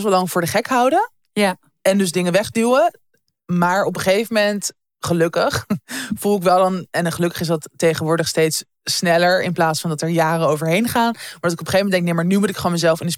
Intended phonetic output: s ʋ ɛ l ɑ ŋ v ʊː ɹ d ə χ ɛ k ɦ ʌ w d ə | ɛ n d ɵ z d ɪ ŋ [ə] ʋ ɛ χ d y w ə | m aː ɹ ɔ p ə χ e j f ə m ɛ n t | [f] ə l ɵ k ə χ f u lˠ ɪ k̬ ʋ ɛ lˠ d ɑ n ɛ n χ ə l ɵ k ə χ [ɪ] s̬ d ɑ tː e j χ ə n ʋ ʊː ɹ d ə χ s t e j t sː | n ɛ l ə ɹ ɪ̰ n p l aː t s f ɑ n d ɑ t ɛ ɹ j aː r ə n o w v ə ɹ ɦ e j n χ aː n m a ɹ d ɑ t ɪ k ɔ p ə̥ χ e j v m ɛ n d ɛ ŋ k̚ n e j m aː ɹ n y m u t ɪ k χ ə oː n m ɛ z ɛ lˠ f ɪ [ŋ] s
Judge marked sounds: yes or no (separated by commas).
yes, no, yes, no